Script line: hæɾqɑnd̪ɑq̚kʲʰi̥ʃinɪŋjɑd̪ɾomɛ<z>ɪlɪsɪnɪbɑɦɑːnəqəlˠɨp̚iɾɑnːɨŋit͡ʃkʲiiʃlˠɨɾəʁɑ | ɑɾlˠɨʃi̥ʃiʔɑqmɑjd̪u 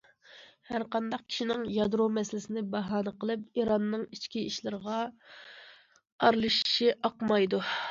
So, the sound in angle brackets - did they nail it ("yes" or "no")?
no